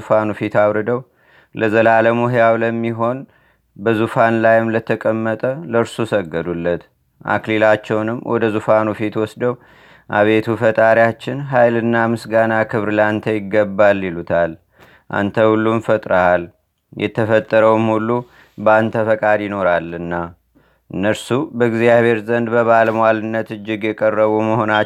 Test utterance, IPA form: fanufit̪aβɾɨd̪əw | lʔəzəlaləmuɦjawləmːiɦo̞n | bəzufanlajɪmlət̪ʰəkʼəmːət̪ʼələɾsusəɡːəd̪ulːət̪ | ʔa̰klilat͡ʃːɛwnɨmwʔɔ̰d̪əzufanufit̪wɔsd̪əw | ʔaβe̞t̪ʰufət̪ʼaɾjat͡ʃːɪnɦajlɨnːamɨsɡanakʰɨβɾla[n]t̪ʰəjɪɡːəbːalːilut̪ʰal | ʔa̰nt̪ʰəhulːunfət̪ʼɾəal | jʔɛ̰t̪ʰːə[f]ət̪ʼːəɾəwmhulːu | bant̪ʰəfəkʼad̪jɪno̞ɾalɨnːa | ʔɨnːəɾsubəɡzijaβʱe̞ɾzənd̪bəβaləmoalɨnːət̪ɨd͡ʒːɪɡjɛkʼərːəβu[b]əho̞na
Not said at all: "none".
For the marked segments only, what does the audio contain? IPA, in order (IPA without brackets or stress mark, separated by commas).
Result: n, f, m